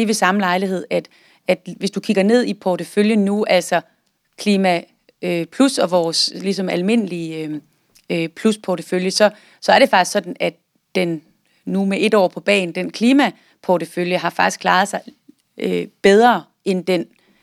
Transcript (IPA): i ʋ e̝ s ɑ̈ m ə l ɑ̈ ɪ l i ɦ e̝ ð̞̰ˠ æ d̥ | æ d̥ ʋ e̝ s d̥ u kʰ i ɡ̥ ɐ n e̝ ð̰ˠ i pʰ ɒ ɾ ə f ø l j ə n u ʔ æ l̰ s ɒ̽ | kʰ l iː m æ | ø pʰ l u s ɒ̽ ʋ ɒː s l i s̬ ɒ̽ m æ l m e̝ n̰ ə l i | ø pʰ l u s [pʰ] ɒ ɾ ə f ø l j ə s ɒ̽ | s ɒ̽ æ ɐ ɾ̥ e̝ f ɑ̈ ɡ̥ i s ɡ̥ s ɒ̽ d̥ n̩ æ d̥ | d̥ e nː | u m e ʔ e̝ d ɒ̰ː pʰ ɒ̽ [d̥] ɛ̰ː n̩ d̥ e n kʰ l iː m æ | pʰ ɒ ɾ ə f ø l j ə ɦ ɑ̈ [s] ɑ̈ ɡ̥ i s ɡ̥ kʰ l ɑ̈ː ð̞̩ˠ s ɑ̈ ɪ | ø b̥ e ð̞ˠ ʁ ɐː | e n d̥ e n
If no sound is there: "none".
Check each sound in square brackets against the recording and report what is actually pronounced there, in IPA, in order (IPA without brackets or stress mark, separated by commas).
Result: pʰ, b̥, f